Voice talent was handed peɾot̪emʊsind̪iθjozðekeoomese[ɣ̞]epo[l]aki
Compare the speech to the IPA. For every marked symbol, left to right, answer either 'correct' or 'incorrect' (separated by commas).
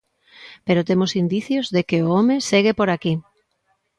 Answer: correct, incorrect